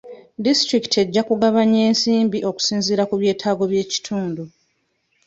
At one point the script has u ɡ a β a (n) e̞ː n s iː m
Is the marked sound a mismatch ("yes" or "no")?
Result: yes